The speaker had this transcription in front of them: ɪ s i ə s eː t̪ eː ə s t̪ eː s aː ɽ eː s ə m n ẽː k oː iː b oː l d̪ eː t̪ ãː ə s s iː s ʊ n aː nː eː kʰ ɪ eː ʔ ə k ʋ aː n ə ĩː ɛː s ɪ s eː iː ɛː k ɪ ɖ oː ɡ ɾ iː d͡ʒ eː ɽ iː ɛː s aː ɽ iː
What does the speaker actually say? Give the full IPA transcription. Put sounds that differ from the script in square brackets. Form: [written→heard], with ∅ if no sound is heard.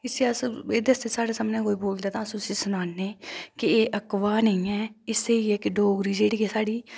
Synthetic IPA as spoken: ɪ s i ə s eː [t̪→d̪] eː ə s t̪ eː s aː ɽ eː s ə m n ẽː k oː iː b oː l d̪ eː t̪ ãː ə s s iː s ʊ n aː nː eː [kʰ→k] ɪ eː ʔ ə k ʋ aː n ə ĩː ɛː [s→∅] ɪ s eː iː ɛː k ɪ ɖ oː ɡ ɾ iː d͡ʒ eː ɽ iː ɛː s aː ɽ iː